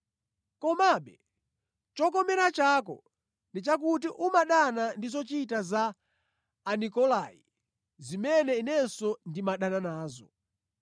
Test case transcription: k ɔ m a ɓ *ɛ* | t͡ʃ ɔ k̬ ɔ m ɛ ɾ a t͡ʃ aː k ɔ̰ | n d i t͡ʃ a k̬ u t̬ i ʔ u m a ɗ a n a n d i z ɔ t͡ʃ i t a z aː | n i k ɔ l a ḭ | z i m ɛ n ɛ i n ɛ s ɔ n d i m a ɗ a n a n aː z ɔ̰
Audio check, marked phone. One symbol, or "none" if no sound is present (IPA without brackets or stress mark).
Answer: ɛ